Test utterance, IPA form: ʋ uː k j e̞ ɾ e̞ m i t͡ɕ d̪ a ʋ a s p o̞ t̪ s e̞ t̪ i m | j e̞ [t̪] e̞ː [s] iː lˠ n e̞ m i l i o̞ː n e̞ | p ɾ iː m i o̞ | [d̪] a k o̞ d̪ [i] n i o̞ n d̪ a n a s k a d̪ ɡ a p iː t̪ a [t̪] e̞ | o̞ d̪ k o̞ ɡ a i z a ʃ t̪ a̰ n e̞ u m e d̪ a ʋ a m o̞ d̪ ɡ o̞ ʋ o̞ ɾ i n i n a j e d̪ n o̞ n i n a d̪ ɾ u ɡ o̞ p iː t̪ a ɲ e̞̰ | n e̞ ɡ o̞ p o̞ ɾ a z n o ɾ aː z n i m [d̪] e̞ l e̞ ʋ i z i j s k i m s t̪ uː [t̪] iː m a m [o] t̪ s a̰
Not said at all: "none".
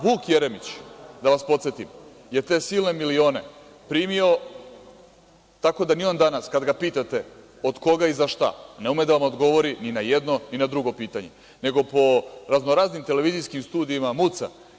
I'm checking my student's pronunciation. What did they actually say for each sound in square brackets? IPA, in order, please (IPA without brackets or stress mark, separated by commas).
t̪, s, t̪, a, t̪, t̪, d̪, u